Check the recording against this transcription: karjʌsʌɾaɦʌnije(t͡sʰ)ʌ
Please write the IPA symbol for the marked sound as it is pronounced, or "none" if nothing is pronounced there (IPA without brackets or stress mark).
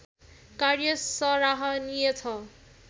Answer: t͡sʰ